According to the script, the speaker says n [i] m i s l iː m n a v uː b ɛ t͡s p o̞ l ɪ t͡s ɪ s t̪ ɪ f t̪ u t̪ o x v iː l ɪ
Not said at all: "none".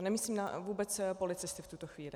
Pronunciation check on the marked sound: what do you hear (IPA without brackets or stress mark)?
ɛ